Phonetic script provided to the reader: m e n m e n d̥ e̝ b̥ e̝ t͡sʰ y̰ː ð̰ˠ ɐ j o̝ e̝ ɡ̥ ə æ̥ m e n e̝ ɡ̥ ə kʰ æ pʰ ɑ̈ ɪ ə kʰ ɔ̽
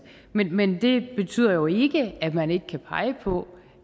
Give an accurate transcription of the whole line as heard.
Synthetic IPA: m e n m e n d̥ e̝ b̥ e̝ t͡sʰ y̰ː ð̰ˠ ɐ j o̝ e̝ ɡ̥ ə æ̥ m æ n e̝ ɡ̥ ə kʰ æ pʰ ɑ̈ ɪ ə pʰ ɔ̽